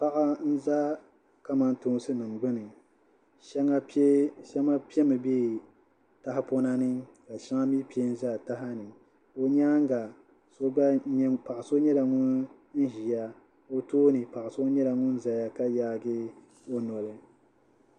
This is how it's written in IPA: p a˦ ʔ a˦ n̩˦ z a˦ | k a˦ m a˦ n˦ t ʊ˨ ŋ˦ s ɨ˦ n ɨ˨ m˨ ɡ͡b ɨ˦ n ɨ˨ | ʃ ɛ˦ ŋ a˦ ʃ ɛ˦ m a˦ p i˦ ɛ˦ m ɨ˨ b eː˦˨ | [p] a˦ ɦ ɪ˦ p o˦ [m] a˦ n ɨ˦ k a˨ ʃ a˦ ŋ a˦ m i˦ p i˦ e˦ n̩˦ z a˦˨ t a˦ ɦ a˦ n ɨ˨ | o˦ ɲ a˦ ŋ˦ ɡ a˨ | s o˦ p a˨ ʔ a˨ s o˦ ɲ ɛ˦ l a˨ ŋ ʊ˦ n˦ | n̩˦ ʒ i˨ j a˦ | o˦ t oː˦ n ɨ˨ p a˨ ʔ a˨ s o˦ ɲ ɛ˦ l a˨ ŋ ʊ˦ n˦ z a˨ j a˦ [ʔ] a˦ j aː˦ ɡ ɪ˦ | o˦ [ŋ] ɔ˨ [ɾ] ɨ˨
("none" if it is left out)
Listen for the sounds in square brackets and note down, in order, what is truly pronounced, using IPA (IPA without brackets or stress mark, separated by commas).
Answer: t, n, k, n, l